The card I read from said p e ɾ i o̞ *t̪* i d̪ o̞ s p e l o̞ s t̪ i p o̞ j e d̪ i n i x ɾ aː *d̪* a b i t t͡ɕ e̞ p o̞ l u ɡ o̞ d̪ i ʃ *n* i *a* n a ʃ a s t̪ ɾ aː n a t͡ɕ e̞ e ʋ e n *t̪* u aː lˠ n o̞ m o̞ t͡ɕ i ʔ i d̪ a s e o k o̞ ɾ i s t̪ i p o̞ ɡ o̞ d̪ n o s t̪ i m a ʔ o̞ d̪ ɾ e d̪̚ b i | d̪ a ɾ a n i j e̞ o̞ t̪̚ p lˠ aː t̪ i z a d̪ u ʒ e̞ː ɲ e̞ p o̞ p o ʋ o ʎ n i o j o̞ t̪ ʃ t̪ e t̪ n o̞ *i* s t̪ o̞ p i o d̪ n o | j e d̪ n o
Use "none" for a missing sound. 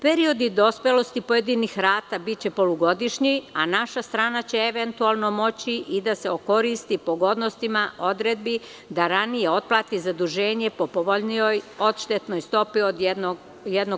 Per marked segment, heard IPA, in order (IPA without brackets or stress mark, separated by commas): d̪, t̪, ɲ, a, t̪, j